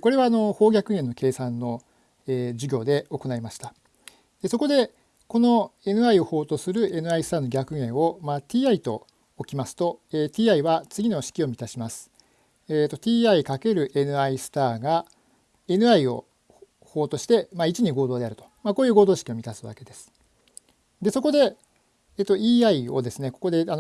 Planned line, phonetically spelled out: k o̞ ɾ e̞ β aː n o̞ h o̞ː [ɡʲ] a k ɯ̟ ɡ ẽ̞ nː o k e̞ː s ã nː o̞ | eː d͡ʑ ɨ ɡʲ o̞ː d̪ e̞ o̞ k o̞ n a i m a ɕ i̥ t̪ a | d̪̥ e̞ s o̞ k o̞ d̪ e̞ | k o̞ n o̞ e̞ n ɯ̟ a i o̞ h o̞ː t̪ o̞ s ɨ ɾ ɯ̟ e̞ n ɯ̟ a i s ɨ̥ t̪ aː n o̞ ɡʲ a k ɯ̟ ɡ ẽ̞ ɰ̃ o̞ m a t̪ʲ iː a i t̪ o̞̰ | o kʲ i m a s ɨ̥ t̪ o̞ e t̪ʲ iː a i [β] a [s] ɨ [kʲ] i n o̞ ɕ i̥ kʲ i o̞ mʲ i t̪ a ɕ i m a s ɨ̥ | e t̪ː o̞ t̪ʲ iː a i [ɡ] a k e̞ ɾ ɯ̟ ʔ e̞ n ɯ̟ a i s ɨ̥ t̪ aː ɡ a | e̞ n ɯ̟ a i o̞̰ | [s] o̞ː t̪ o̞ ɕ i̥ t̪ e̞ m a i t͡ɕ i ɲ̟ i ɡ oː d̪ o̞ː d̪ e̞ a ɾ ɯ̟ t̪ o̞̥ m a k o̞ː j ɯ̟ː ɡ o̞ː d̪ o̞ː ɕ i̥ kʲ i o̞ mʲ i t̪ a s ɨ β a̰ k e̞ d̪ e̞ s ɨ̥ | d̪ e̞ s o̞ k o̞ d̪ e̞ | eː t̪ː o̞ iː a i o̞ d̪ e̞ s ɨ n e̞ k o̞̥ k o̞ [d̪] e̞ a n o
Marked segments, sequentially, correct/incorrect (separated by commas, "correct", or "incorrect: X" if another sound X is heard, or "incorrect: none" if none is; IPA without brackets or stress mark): correct, correct, incorrect: t͡s, incorrect: ɡʲ, incorrect: k, incorrect: h, correct